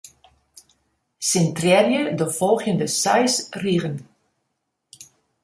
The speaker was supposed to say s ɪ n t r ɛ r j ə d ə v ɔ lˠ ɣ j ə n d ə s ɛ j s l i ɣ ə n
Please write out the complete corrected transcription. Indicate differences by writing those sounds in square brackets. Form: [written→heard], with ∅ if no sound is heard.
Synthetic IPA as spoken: s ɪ n t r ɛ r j ə d ə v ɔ lˠ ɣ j ə n d ə s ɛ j s [l→r] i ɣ ə n

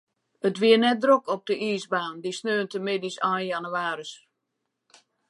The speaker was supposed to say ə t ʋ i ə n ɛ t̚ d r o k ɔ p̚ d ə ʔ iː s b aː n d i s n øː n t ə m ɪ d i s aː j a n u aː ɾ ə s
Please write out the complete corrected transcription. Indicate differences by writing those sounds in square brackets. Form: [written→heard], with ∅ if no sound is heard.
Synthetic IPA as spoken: ə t ʋ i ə n ɛ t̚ d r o k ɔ p̚ d ə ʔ iː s b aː n d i s n øː n t ə m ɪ d i s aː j a n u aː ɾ ə s

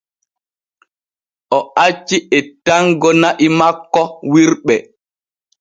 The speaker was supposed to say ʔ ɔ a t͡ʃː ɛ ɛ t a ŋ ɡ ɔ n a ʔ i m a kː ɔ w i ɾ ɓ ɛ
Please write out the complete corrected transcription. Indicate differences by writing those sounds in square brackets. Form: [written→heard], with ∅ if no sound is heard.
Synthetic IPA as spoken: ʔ ɔ a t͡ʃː [ɛ→i] ɛ t a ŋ ɡ ɔ n a ʔ i m a kː ɔ w i ɾ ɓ ɛ

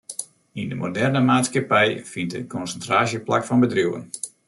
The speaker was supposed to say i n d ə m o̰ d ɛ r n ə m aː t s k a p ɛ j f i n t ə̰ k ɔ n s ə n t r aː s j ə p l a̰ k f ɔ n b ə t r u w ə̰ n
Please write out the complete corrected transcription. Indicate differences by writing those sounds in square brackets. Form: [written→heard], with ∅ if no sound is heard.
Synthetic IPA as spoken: i n d ə m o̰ d ɛ r n ə m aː t s k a p ɛ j f i n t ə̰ k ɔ n s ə n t r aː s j ə p l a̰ k f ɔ n b ə [t→d] r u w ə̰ n

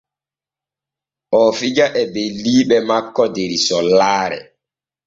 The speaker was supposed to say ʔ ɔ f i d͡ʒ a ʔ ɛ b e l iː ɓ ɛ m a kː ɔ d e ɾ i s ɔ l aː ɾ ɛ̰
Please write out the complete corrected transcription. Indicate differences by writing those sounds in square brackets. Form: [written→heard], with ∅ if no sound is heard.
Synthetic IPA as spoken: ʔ ɔ f i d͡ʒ a ʔ ɛ b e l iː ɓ ɛ m a kː ɔ d e ɾ i s ɔ l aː ɾ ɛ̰

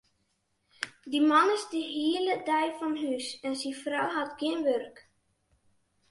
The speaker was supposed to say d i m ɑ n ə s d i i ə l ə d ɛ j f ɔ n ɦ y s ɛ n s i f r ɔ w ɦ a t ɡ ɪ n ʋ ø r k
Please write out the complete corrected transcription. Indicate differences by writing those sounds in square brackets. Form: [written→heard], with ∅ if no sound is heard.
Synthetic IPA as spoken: d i m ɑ n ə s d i i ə l ə d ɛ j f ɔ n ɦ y s ɛ n s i f r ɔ w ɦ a t ɡ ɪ n ʋ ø r k

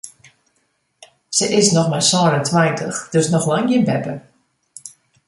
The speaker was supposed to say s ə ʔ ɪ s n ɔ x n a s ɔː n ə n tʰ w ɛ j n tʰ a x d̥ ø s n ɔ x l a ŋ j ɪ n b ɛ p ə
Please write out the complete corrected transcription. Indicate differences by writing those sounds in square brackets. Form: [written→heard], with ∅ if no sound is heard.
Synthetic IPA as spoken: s ə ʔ ɪ s n ɔ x [n→m] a s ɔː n ə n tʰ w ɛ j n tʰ [a→ə] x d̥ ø s n ɔ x l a ŋ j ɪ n b ɛ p ə

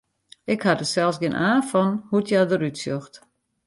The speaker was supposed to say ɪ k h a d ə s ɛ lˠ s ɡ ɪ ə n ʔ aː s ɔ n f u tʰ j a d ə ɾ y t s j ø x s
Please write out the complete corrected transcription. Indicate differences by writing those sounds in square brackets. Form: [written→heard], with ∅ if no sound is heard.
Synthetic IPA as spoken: ɪ k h a d ə s ɛ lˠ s ɡ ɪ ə n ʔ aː [s→f] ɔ n [f→h] u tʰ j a d ə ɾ y t s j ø x [s→t]

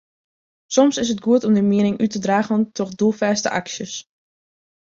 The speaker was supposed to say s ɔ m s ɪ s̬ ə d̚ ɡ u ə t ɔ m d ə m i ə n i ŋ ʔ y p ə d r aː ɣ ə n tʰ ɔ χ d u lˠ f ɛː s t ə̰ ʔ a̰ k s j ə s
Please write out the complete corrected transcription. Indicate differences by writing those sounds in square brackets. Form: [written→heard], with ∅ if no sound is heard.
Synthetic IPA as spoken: s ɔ m s ɪ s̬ ə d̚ ɡ u ə t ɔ m d ə m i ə n [i→ɪ] ŋ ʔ y [p→t] ə d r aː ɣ ə n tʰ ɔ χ d u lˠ f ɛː s t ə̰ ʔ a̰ k s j ə s

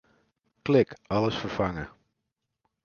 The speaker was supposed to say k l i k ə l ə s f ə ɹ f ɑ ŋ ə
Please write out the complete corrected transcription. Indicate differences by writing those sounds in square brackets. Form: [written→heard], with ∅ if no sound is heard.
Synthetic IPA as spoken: k l [i→ɪ] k [ə→ɑ] l ə s f ə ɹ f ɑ ŋ ə

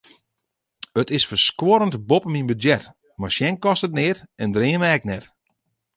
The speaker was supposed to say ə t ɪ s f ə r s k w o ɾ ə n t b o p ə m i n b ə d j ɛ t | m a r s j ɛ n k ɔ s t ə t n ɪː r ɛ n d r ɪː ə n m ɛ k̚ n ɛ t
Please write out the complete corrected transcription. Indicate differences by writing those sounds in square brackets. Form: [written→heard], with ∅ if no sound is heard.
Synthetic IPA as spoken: ə t ɪ s f ə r s k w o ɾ ə n t b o p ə m i n b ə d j ɛ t | m a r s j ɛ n k ɔ s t ə t n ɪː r ɛ n d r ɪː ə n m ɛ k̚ n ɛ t

